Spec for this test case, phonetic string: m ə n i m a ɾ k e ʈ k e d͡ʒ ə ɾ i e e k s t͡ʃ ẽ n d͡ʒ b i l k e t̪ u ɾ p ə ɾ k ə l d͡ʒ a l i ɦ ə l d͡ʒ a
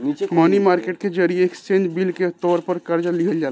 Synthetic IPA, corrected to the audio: m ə n i m a ɾ k e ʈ k e d͡ʒ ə ɾ i e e k s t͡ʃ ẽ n d͡ʒ b i l k e t̪ ɔ ɾ p ə ɾ k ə ɾ d͡ʒ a l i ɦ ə l d͡ʒ a